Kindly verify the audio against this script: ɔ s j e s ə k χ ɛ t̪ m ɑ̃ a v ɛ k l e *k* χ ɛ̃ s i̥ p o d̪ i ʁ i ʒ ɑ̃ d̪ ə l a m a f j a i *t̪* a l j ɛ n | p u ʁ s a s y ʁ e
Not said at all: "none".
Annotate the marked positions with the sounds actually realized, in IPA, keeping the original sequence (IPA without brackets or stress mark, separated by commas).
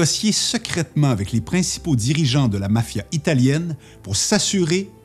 p, t̪